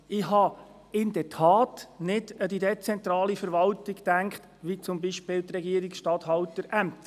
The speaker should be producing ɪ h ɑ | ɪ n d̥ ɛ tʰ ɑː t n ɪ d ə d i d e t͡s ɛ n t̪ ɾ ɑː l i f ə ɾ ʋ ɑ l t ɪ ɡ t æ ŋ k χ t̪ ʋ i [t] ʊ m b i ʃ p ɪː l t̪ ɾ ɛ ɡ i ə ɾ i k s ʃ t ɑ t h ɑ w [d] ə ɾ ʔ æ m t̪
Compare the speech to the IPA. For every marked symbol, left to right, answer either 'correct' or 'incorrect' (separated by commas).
incorrect, incorrect